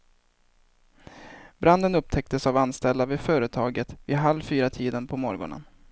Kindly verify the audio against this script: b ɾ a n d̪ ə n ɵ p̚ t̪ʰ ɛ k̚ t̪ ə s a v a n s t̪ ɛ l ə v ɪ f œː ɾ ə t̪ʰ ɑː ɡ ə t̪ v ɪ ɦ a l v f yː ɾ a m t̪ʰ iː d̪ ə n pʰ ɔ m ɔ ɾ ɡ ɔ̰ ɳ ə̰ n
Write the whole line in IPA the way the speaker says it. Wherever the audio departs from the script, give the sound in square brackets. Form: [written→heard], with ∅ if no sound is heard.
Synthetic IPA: b ɾ a n d̪ ə n ɵ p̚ t̪ʰ ɛ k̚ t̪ ə s a v a n s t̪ ɛ l [ə→a] v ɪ f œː ɾ ə t̪ʰ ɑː ɡ ə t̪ v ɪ ɦ a l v f yː ɾ a [m→∅] t̪ʰ iː d̪ ə n pʰ ɔ m ɔ ɾ ɡ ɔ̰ ɳ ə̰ n